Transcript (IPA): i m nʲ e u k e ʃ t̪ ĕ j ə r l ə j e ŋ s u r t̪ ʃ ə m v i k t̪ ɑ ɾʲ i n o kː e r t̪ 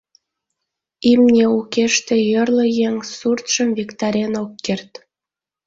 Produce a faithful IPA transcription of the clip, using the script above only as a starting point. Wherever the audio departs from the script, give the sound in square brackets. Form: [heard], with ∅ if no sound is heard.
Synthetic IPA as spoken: i m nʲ e u k e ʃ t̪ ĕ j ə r l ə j e ŋ s u r t̪ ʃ ə m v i k t̪ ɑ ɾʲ [e] n o kː e r t̪